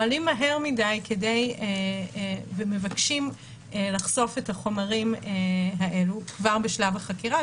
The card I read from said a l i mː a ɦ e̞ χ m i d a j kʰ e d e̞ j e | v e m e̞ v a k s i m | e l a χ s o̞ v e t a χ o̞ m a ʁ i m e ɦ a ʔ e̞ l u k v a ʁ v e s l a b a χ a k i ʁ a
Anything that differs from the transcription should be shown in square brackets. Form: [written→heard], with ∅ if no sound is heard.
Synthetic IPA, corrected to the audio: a l i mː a ɦ e̞ [χ→ʁ] m i d a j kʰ e d e̞ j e | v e m e̞ v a k [s→ʃ] i m | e l a χ s o̞ [v→f] e t a χ o̞ m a ʁ i m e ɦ a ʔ e̞ l u k v a ʁ [v→b] e [s→ʃ] l a [b→v] a χ a k i ʁ a